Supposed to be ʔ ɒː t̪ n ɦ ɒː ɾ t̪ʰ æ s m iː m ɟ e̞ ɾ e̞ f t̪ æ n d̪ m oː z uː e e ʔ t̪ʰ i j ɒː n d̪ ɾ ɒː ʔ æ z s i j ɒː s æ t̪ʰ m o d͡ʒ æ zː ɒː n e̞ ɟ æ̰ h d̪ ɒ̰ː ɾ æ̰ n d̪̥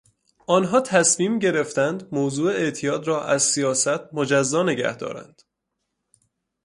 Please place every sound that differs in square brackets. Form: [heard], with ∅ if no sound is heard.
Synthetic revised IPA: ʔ ɒː [∅] n ɦ ɒː [∅] t̪ʰ æ s m iː m ɟ e̞ ɾ e̞ f t̪ æ n d̪ m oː z uː e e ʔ t̪ʰ i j ɒː [∅] d̪ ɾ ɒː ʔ æ z s i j ɒː s æ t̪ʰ m o d͡ʒ æ zː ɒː n e̞ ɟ æ̰ h d̪ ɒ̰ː ɾ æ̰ n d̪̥